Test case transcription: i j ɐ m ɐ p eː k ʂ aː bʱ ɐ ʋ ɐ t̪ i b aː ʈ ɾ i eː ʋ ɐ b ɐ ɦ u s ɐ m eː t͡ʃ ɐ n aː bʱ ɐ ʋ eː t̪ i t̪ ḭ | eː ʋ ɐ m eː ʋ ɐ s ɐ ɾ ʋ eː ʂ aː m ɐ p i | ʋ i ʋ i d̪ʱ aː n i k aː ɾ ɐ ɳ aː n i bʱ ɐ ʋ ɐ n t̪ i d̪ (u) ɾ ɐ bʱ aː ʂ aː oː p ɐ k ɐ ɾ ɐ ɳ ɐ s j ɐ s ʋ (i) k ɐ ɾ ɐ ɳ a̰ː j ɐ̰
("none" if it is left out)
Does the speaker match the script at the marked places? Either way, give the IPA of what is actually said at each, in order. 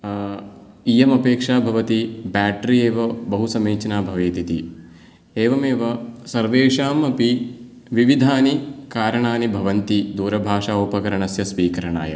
uː, iː

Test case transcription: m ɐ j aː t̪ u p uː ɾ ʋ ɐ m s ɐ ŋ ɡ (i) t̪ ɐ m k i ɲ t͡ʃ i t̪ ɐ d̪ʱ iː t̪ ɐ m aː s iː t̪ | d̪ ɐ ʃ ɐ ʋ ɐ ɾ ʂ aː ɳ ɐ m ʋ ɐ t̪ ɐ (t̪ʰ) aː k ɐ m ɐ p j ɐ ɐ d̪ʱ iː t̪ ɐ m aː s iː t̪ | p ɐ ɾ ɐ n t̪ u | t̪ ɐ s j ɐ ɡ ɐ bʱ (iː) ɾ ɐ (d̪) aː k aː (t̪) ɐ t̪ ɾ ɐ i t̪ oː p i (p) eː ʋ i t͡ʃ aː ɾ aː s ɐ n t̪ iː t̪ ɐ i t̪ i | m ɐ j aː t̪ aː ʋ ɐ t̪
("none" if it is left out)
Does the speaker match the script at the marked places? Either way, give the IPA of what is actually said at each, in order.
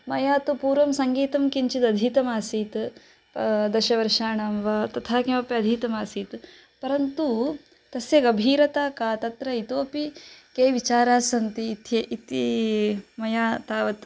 iː, t̪ʰ, iː, t̪, t̪, k

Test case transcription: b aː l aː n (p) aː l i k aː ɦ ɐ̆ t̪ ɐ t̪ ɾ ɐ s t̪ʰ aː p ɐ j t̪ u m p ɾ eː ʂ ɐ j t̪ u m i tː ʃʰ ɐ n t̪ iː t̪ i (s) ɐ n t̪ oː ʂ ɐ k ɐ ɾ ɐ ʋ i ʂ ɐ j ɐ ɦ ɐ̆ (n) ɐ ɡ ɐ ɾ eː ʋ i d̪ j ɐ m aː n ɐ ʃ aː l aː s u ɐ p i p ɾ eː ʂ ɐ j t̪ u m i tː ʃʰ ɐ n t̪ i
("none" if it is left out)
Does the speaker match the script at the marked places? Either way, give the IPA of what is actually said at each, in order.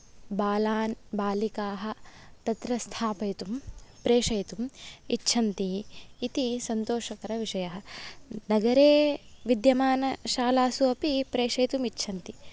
b, s, n

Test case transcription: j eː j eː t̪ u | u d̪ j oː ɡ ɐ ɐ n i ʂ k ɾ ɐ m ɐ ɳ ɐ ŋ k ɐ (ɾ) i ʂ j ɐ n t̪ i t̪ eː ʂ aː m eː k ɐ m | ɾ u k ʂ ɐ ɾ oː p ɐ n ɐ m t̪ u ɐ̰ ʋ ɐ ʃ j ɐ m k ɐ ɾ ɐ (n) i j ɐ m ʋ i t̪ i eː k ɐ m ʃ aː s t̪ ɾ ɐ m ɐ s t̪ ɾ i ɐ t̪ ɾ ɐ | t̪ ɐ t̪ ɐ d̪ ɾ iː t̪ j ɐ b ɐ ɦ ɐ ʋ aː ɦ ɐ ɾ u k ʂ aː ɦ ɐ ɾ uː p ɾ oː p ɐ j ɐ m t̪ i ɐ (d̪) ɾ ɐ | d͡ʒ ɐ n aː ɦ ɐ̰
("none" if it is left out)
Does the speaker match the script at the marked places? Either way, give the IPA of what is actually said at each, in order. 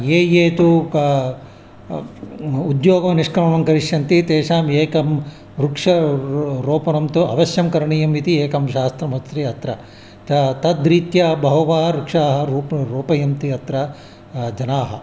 ɾ, ɳ, t̪

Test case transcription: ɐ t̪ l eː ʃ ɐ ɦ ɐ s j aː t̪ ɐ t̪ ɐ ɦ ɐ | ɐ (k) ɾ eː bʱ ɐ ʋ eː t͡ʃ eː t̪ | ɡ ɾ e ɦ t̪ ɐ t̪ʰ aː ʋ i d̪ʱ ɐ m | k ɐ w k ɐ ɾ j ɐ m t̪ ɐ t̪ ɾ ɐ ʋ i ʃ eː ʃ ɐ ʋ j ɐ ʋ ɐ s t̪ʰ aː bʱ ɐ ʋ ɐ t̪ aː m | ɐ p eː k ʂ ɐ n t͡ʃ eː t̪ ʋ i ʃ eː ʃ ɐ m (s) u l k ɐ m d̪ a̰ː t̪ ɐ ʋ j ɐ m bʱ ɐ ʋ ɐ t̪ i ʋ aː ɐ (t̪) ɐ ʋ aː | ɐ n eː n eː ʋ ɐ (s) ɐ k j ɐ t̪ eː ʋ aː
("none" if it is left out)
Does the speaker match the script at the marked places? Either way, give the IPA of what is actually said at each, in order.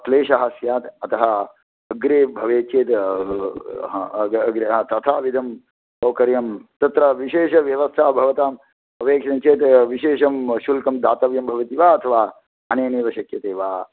ɡ, ʃ, t̪ʰ, ʃ

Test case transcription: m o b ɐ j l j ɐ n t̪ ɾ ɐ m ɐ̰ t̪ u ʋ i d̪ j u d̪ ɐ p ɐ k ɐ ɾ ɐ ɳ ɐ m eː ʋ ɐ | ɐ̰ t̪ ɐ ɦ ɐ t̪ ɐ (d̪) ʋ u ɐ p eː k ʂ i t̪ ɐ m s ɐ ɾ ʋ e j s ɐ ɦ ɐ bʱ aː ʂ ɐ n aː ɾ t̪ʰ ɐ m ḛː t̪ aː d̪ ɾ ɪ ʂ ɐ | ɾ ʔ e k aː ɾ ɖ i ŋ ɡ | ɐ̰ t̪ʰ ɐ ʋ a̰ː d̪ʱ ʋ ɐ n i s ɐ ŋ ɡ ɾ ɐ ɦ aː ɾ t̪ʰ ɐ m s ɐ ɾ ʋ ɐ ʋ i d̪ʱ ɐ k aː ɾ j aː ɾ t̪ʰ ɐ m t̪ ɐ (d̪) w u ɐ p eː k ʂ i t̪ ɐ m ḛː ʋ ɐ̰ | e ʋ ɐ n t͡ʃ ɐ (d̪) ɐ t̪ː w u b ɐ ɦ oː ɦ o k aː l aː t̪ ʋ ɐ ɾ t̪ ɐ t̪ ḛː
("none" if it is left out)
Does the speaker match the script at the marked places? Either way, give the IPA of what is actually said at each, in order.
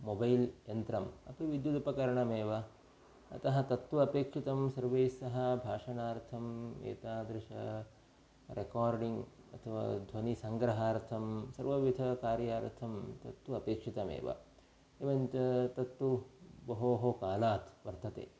t̪, t̪, t̪

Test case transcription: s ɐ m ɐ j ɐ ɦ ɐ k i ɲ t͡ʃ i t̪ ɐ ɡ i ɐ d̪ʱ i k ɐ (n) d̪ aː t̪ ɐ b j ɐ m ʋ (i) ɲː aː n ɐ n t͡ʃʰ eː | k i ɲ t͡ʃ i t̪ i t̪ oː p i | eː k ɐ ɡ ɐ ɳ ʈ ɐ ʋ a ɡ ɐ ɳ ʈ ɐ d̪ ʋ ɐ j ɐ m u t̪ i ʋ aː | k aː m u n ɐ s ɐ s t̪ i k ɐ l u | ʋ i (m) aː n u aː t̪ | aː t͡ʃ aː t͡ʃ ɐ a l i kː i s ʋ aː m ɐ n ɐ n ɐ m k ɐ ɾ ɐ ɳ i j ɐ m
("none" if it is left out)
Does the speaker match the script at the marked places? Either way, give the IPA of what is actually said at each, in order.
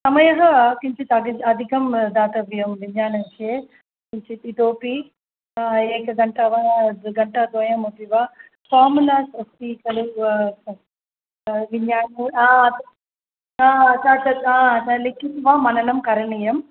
m, i, ɲ

